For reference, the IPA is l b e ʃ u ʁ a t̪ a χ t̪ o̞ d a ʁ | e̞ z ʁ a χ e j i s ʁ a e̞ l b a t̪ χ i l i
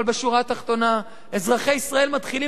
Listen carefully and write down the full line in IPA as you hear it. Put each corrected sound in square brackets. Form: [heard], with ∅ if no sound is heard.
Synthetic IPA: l b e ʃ u ʁ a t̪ a χ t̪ o̞ [n] a [∅] | e̞ z ʁ a χ e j i s ʁ a e̞ l [m] a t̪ χ i l i